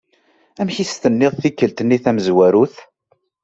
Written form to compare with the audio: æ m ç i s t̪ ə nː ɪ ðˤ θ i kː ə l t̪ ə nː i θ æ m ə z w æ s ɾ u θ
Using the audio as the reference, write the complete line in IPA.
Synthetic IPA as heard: æ m ç i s t̪ ə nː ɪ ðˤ θ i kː ə l t̪ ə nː i θ æ m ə z w æ ɾ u θ